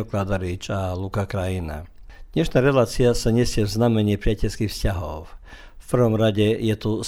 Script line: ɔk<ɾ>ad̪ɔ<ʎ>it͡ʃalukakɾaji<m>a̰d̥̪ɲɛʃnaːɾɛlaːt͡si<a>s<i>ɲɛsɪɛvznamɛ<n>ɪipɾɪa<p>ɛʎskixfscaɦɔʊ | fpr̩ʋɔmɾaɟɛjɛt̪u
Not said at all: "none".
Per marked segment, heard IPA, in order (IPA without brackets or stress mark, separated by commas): l, ɾ, n, a, a, ɲ, c